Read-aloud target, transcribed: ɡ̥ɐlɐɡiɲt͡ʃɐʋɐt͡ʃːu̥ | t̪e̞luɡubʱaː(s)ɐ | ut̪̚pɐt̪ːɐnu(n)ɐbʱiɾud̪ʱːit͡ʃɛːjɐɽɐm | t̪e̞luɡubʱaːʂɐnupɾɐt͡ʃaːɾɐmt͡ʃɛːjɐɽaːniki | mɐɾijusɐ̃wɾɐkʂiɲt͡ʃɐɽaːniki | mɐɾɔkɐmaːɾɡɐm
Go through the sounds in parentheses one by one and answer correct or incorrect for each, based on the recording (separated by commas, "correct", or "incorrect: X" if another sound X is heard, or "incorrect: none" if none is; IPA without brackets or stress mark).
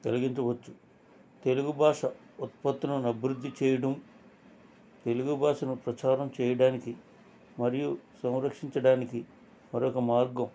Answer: incorrect: ʂ, correct